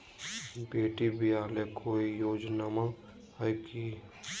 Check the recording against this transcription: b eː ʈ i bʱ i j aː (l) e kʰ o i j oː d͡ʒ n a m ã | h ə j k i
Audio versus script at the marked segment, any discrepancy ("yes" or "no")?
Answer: no